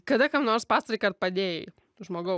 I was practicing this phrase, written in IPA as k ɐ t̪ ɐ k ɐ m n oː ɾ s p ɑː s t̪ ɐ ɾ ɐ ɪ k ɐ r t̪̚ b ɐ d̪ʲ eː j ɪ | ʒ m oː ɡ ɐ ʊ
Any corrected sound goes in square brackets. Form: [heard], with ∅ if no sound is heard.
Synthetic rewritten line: k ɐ [d̪] ɐ k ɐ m n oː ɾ s p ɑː s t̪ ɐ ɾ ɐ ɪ k ɐ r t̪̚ [p] ɐ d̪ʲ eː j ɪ | ʒ m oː ɡ ɐ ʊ